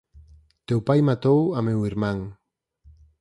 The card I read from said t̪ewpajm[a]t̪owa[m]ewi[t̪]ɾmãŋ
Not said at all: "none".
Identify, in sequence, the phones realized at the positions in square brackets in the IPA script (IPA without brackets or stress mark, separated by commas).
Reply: a, m, none